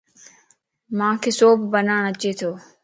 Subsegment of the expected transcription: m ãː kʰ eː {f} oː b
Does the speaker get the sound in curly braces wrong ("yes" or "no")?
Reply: yes